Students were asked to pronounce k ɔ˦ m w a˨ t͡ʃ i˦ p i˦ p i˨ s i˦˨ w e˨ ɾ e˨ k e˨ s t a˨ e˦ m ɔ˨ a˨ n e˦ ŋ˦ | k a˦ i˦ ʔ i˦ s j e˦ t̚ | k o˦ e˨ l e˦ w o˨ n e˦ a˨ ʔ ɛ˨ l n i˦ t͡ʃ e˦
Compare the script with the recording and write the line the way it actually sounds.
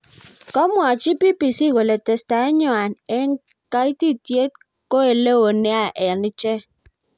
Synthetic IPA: k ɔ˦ m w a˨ t͡ʃ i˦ p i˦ p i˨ s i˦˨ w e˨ l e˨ t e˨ s t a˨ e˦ ɲ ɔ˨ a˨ n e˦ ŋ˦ | k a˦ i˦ t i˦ t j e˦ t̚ | k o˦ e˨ l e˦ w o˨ n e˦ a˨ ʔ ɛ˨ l n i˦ t͡ʃ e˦

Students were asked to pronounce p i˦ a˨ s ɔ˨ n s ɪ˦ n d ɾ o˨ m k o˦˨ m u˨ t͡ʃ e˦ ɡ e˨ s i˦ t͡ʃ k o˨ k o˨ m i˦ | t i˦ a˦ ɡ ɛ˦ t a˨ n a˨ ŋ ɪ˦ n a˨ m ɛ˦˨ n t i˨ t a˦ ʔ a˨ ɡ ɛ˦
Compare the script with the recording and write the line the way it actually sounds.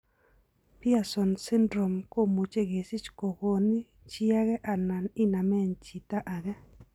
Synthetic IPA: p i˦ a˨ s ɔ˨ n s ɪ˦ n d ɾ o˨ m k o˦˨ m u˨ t͡ʃ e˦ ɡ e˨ s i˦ t͡ʃ k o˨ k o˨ n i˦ | t͡ʃ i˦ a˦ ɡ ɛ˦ ʔ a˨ n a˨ n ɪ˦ n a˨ m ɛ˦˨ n t͡ʃ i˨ t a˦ ʔ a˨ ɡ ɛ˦

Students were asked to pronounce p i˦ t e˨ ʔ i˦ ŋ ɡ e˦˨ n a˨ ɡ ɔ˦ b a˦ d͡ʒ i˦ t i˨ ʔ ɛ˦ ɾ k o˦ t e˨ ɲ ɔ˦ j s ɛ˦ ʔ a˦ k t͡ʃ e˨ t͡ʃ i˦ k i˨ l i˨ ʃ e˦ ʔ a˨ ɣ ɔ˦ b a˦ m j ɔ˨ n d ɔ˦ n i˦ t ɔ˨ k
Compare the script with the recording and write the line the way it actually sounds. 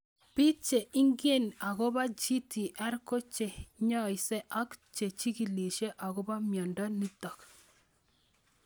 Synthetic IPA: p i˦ t͡ʃ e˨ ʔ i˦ ŋ ɡ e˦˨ n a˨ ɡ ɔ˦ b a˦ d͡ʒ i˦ t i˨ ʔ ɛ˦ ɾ k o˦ t͡ʃ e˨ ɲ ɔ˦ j s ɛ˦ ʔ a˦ k t͡ʃ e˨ t͡ʃ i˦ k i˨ l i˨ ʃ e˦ ʔ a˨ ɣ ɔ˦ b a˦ m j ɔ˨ n d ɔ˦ n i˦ t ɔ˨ k

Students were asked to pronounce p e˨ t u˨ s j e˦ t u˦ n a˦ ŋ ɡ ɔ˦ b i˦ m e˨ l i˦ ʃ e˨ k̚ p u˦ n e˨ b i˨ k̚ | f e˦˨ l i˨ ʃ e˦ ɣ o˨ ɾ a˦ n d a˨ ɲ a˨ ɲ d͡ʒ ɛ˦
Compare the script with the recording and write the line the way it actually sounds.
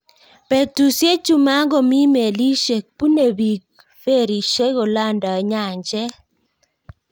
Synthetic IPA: p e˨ t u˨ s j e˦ t͡ʃ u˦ m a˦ ŋ ɡ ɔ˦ m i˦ m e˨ l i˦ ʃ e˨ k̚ p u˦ n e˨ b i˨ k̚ | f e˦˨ ɾ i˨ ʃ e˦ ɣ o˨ l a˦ n d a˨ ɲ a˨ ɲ d͡ʒ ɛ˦

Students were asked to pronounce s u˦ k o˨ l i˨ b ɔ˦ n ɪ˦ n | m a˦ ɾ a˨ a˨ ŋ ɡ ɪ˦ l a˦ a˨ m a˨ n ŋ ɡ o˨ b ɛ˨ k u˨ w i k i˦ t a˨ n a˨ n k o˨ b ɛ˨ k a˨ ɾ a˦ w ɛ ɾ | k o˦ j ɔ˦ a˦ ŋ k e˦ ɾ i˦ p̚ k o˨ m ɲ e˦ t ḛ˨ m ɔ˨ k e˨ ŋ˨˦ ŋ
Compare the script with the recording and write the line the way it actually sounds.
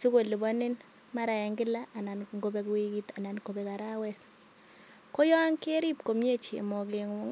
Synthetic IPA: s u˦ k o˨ l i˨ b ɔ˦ n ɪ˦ n | m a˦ ɾ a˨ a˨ ŋ ɡ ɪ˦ l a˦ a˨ n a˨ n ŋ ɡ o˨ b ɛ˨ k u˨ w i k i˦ t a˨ n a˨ n k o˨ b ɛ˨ k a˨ ɾ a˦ w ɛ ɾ | k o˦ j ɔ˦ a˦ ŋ k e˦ ɾ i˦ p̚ k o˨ m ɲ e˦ t͡ʃ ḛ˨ m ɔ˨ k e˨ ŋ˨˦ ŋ

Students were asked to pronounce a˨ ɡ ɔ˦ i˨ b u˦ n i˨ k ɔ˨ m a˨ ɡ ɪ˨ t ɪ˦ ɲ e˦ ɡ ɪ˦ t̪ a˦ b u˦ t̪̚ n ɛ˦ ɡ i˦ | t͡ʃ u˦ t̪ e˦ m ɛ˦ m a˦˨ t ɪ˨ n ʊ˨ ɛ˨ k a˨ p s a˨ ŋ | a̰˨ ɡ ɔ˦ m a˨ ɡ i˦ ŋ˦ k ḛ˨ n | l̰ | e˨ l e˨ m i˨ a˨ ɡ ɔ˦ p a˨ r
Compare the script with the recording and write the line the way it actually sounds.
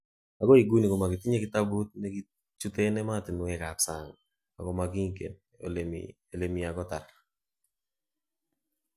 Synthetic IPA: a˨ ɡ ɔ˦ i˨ ɡ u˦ n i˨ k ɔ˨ m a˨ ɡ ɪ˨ t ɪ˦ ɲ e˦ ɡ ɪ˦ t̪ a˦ b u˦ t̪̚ n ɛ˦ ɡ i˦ | t͡ʃ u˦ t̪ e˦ n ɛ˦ m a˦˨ t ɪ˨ n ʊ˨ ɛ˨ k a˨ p s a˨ ŋ | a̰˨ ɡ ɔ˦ m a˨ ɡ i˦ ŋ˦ k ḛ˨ n | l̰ | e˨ l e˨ m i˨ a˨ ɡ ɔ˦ t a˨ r

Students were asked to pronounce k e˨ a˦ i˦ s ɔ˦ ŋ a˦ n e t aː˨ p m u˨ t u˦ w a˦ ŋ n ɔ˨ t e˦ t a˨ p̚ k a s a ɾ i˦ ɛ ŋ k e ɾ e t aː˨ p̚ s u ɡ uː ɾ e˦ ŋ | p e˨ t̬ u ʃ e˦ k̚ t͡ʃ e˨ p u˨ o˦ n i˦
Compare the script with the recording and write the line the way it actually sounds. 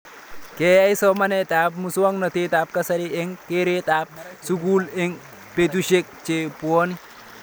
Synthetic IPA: k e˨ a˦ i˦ s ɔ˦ m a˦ n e t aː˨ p m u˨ s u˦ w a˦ ŋ n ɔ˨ t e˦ t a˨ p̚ k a s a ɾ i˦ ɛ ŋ k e ɾ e t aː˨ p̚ s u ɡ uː l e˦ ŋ | p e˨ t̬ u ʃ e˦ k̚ t͡ʃ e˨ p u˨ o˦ n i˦

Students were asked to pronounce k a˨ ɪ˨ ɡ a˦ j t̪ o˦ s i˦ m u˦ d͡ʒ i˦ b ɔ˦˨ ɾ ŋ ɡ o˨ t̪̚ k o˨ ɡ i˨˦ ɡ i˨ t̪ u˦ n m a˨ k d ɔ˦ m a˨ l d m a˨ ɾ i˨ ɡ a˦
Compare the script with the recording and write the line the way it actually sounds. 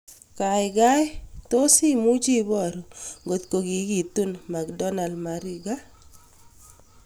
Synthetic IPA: k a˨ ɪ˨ ɡ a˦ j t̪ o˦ s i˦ m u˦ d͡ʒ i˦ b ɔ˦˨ ɾ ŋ ɡ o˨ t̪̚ k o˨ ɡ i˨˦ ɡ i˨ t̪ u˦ n m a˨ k d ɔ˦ n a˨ l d m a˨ ɾ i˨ ɡ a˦

